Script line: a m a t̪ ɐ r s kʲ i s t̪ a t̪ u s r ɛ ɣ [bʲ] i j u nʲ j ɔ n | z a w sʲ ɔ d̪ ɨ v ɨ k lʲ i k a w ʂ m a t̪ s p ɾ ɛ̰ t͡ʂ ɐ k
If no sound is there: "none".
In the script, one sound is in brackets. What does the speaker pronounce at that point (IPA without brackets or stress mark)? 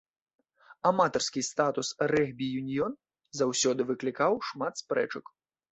bʲ